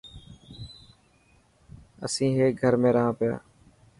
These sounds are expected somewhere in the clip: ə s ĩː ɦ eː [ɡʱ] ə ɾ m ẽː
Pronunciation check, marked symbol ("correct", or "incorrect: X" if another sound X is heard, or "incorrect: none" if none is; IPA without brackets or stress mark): correct